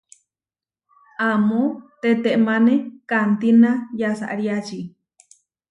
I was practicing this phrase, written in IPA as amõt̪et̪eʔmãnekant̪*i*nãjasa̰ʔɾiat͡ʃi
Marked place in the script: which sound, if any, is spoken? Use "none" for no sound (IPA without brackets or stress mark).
i